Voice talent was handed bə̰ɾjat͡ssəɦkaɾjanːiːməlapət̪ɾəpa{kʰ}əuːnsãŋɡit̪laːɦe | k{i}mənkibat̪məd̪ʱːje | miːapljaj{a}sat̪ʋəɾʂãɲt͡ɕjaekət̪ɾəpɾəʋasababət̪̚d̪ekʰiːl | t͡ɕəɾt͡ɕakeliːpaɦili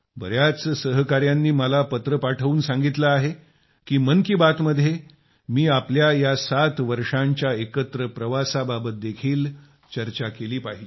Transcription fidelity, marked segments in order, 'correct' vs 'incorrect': incorrect: ʈʰ, incorrect: iː, correct

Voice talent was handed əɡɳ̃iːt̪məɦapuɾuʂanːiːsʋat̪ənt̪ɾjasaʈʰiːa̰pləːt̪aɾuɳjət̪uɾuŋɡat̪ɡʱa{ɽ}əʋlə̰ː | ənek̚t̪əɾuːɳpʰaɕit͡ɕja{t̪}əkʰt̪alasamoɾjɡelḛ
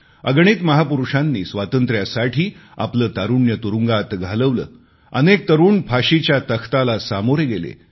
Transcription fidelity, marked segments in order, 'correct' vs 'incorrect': incorrect: l, correct

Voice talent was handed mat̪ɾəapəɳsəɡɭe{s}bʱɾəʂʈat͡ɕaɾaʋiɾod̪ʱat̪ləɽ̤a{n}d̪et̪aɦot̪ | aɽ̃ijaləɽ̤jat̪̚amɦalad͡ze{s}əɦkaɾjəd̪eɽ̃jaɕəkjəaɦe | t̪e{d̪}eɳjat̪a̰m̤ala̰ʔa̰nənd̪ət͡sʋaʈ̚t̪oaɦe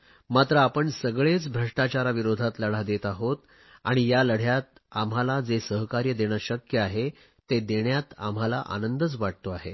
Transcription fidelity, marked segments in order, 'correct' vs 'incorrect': incorrect: t͡s, incorrect: none, correct, correct

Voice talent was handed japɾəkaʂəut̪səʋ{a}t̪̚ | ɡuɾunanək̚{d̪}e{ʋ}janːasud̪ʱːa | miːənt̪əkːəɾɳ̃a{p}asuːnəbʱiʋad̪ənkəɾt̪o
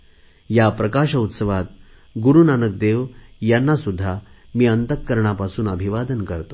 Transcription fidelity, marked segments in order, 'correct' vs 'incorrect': correct, correct, correct, correct

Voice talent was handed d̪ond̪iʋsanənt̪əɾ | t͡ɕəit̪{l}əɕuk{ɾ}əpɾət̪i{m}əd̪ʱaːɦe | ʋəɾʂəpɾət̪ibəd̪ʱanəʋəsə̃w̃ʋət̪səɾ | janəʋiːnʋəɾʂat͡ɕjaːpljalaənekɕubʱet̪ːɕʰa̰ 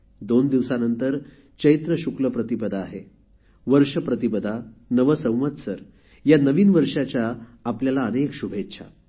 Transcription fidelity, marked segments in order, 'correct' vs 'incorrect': incorrect: ɾ, incorrect: l, incorrect: b

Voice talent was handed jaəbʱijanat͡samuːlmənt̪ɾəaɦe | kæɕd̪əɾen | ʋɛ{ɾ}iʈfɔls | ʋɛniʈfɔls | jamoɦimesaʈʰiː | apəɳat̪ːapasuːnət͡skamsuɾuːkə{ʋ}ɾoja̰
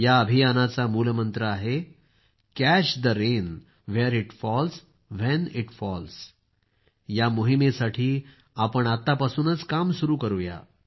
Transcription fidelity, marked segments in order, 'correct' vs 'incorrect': correct, incorrect: none

